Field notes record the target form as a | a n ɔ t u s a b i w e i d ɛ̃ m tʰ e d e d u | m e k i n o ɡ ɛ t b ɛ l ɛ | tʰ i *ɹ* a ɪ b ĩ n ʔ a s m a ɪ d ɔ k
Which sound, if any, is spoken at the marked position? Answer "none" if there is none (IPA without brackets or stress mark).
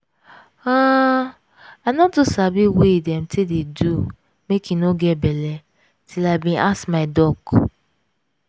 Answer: l